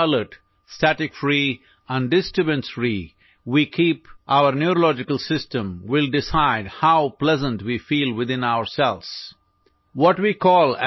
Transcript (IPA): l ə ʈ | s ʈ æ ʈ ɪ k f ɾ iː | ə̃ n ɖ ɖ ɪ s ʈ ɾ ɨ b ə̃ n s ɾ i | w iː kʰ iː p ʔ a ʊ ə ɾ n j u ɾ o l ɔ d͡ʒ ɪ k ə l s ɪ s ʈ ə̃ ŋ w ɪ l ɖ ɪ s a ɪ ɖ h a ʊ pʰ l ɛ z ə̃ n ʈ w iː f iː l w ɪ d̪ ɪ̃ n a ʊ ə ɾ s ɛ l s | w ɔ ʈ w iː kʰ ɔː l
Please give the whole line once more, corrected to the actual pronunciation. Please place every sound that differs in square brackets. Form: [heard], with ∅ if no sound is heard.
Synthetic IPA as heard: l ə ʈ | s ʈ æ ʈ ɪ k f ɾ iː | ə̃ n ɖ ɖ ɪ s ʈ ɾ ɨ b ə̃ n s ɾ i | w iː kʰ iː p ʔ a ʊ ə ɾ n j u ɾ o l ɔ d͡ʒ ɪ k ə l s ɪ s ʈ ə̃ [m] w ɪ l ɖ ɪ s a ɪ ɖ h a ʊ [p] l ɛ z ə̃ n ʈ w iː f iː l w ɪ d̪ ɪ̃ n a ʊ ə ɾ s ɛ l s | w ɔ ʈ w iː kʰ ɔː l

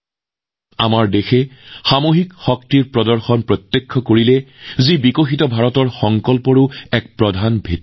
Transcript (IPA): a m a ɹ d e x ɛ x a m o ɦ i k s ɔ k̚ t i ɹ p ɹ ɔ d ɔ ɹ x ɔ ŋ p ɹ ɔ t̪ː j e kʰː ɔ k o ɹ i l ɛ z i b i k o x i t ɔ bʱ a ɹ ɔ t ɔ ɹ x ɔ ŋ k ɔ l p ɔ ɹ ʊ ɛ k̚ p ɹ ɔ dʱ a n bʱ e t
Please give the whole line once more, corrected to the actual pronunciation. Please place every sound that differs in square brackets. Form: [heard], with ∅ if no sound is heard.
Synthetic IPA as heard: a m a ɹ d e x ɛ x a m o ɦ i k [x] ɔ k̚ t i ɹ p ɹ ɔ d ɔ ɹ x ɔ [n] p ɹ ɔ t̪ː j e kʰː ɔ k o ɹ i l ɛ z i b i k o x i t ɔ bʱ a ɹ ɔ t ɔ ɹ x ɔ ŋ k ɔ l p ɔ ɹ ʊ ɛ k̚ p ɹ ɔ dʱ a n bʱ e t

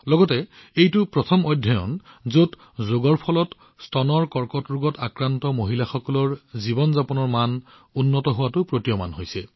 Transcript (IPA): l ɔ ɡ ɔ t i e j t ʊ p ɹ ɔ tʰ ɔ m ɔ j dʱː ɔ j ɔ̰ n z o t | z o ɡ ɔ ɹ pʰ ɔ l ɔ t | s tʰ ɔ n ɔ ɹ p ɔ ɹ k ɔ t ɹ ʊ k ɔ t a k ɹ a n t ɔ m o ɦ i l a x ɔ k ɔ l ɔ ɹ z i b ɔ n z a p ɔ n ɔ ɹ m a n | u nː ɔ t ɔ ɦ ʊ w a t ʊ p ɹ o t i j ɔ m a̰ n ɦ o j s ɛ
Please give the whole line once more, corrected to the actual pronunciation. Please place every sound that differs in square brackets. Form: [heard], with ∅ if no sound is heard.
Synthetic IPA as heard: l ɔ ɡ ɔ t [ɛ] e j t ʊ p ɹ ɔ tʰ ɔ m ɔ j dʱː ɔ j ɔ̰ n z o t | z o ɡ ɔ ɹ pʰ ɔ l ɔ t | s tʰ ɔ n ɔ ɹ [k] ɔ ɹ k ɔ t ɹ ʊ [ɡ] ɔ t a k ɹ a n t ɔ m o ɦ i l a x ɔ k ɔ l ɔ ɹ z i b ɔ n z a p ɔ n ɔ ɹ m a n | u nː ɔ t ɔ ɦ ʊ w a t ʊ p ɹ o t i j ɔ m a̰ n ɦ o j s ɛ

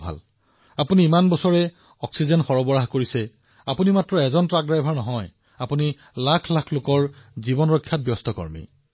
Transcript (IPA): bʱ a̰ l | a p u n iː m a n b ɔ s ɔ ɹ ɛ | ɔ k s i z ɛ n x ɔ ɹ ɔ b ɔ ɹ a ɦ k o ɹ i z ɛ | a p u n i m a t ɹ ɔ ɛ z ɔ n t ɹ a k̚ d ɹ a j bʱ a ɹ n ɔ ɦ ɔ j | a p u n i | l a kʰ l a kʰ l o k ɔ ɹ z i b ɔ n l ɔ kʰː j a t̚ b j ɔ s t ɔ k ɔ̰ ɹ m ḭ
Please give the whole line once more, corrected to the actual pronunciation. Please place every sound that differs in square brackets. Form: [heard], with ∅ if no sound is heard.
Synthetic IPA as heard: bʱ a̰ l | a p u n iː m a n b ɔ s ɔ ɹ ɛ | ɔ k s i z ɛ n x ɔ ɹ ɔ b ɔ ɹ a ɦ k o ɹ i [s] ɛ | a p u n i m a t ɹ ɔ ɛ z ɔ n t ɹ a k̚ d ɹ a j bʱ a ɹ n ɔ ɦ ɔ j | a p u n i | l a kʰ l a kʰ l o k ɔ ɹ z i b ɔ n [ɹ] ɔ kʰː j a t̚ b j ɔ s t ɔ k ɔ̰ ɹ m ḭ

